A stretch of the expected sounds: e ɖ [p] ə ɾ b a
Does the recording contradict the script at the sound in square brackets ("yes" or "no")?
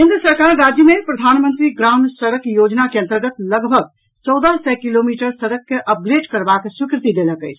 yes